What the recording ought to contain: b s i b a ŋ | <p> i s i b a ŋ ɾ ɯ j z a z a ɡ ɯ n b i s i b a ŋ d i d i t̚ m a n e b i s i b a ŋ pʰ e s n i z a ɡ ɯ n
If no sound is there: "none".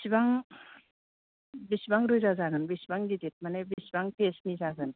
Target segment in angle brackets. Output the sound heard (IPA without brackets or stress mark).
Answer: b